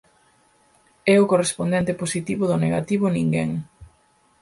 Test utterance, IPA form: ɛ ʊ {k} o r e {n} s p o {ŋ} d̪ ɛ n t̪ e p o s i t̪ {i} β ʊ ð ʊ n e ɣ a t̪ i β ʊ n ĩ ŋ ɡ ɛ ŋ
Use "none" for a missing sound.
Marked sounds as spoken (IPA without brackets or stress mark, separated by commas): k, none, n, i